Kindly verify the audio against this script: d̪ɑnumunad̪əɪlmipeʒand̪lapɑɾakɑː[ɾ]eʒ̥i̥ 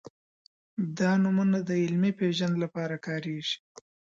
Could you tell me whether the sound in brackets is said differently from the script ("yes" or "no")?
no